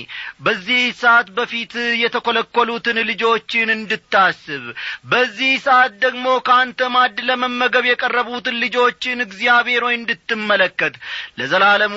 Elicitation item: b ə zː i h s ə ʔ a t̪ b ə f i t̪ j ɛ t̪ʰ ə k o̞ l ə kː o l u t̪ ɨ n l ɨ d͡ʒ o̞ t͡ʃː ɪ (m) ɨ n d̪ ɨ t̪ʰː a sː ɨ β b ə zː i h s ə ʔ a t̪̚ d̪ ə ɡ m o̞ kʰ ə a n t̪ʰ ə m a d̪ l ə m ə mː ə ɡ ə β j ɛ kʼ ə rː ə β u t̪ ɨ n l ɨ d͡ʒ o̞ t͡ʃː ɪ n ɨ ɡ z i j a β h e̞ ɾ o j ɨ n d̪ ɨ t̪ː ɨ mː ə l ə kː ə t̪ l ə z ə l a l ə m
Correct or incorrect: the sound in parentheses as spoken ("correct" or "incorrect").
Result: incorrect